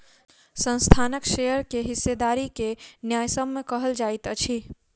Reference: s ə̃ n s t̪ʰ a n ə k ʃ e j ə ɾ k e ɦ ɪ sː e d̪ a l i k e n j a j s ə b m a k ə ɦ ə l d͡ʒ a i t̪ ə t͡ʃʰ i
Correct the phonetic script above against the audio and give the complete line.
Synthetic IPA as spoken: s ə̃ n s t̪ʰ a n ə k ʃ e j ə ɾ k e ɦ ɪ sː e d̪ a ɾ i k e n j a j s ə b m e k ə ɦ ə l d͡ʒ a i t̪ ə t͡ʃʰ i